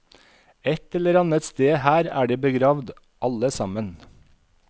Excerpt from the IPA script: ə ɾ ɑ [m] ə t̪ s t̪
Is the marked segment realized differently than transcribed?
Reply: yes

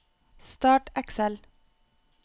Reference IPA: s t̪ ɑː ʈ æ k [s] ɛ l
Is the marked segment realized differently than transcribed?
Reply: no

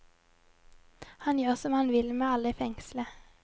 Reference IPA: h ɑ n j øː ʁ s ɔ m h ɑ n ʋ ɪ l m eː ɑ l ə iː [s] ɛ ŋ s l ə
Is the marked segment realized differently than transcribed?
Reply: yes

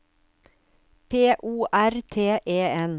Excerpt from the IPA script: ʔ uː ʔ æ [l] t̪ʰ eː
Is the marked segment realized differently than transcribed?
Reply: yes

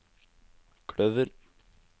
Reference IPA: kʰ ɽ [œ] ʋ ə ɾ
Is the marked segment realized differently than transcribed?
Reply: no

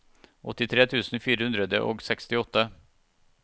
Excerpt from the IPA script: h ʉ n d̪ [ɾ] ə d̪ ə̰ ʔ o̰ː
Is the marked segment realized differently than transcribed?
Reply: no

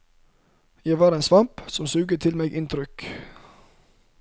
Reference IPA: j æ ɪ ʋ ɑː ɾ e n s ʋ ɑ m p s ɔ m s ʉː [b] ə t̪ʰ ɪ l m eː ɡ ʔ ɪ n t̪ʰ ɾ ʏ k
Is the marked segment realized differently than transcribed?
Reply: yes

